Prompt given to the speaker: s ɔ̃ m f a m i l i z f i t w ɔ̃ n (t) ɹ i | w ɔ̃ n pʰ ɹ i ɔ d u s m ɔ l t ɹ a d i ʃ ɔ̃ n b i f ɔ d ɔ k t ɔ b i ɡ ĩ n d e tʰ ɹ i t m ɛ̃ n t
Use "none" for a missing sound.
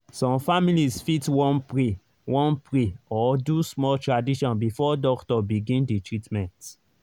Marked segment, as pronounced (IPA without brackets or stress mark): p